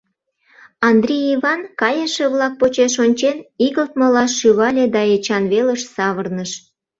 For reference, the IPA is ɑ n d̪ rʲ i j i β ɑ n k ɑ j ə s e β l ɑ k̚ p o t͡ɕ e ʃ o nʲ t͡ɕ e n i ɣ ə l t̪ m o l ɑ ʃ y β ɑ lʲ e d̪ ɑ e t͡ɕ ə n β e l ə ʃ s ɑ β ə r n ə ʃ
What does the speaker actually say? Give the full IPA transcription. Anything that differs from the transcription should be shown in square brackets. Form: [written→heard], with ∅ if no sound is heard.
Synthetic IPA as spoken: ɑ n d̪ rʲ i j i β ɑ n k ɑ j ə [s→ʃ] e β l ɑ k̚ p o t͡ɕ e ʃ o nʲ t͡ɕ e n i ɣ ə l t̪ m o l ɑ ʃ y β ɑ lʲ e d̪ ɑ e t͡ɕ [ə→ɑ] n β e l ə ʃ s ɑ β ə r n ə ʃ